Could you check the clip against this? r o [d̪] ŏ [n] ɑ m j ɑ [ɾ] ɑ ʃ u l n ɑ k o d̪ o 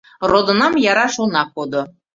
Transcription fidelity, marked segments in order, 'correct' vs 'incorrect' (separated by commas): correct, correct, correct